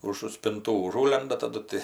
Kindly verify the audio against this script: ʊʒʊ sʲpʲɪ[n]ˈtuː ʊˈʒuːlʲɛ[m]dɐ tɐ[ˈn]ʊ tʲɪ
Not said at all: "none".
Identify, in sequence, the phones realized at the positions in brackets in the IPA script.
n, n, d

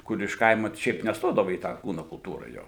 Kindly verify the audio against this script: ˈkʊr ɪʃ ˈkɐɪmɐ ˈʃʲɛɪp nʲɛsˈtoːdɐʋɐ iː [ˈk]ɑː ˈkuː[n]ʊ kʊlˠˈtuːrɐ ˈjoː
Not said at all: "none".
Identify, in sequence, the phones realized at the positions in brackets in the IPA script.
t, n

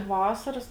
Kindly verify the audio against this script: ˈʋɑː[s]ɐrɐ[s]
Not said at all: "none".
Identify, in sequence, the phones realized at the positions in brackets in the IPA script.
s, s

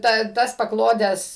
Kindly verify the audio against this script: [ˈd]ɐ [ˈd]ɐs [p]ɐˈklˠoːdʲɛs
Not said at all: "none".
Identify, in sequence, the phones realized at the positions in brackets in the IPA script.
t, t, p

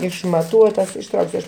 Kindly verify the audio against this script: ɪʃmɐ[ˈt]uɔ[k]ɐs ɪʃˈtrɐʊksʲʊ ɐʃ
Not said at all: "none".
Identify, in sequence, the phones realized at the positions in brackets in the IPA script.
t, t

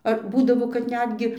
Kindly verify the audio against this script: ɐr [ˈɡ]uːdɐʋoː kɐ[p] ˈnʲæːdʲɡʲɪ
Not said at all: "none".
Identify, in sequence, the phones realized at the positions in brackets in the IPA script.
b, t

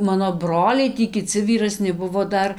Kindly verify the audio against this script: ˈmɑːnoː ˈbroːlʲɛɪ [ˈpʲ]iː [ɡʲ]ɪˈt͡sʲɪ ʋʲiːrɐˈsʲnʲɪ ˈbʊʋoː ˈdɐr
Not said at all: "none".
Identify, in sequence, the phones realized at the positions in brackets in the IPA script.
tʲ, kʲ

